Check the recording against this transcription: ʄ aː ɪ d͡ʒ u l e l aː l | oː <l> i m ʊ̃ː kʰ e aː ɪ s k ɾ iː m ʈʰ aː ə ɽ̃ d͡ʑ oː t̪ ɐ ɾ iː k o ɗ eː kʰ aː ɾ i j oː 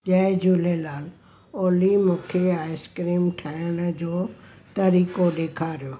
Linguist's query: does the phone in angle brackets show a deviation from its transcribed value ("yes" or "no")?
no